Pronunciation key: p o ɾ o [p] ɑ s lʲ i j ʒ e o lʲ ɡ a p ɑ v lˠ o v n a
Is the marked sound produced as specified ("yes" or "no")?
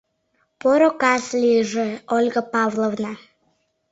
no